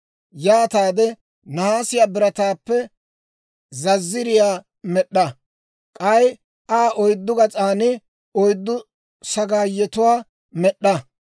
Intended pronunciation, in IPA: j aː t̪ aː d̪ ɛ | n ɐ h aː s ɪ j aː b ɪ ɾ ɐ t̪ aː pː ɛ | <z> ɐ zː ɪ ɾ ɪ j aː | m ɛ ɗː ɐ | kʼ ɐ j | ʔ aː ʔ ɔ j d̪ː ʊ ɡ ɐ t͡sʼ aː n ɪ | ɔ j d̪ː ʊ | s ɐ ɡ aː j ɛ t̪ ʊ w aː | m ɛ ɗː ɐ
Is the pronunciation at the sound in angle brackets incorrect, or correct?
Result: correct